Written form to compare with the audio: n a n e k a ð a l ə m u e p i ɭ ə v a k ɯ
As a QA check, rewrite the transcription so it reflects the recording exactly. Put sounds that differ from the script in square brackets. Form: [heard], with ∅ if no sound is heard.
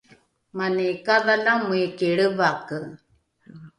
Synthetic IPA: [m] a n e k a ð a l [a] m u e [k] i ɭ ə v a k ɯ

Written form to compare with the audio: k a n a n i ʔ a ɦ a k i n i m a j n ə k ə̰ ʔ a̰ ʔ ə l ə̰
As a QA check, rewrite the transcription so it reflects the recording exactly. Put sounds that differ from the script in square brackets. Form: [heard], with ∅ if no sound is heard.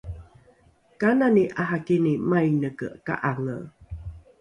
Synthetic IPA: k a n a n i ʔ a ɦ a k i n i m a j n ə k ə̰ [k] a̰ ʔ [a] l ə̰

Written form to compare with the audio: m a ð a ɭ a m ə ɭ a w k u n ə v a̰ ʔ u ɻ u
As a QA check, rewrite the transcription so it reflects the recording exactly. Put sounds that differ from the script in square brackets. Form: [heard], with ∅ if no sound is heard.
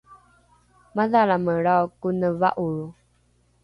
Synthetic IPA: m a ð a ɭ a m ə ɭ a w k u n ə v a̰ ʔ u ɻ u

